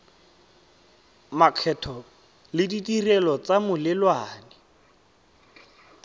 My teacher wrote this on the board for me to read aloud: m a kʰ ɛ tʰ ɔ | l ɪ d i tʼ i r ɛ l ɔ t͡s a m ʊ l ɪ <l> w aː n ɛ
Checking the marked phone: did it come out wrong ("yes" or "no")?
no